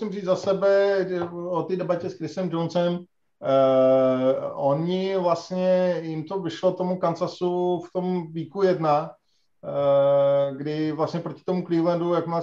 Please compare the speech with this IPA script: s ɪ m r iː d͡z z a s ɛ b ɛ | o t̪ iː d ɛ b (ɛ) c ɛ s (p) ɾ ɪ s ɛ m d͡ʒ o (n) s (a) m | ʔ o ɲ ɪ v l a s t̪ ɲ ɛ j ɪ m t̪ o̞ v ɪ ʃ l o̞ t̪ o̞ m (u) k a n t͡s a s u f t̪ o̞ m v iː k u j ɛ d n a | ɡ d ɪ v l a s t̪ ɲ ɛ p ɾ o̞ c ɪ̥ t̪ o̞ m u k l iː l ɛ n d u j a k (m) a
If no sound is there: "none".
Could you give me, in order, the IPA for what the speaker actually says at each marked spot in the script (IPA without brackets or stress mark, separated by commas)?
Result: a, k, n, ɛ, u, m